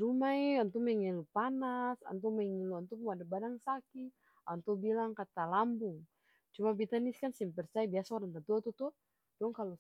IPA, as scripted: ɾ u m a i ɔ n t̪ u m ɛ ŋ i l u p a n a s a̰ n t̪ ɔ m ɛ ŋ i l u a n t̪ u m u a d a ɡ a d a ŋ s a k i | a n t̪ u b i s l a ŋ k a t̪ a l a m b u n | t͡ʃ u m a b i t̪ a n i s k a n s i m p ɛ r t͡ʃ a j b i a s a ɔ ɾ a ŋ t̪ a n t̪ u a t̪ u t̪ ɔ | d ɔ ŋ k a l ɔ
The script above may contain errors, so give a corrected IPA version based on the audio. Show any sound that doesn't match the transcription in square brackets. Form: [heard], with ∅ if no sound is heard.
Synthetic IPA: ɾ u m a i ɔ n t̪ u m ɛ ŋ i l u p a n a s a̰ n t̪ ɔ m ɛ ŋ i l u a n t̪ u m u a d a [b] a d a ŋ s a k i | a n t̪ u b i [∅] l a ŋ k a t̪ a l a m b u [ŋ] | t͡ʃ u m a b i t̪ a n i s k a n s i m p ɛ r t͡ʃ a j b i a s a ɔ ɾ a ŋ t̪ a n t̪ u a t̪ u t̪ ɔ | d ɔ ŋ k a l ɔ